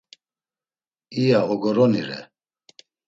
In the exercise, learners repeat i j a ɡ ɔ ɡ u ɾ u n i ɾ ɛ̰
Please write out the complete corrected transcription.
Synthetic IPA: i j a ɔ ɡ ɔ ɾ ɔ n i ɾ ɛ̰